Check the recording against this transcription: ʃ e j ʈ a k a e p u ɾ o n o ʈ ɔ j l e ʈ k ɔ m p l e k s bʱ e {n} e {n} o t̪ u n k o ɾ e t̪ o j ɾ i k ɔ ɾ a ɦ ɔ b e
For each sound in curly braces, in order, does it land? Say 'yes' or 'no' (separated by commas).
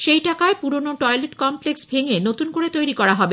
no, yes